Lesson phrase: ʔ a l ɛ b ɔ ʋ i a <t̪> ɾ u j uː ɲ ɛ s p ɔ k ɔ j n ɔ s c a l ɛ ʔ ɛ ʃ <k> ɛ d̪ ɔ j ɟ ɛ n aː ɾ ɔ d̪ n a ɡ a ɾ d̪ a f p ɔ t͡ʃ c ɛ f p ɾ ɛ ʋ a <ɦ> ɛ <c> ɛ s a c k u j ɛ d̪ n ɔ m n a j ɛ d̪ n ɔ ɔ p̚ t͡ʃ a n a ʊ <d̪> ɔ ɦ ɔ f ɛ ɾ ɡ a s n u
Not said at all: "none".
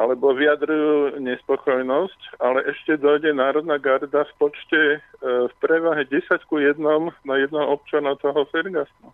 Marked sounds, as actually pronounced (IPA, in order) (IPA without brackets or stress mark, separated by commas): d̪, c, ɦ, ɟ, t̪